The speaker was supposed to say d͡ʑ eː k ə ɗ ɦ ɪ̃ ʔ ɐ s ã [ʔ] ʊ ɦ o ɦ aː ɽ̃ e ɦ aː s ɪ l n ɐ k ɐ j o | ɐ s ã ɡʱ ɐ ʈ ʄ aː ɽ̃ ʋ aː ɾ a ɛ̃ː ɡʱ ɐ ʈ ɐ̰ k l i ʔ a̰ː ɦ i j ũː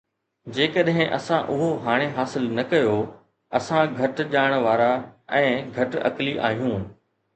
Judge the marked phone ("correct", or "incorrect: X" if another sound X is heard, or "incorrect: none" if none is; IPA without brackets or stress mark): correct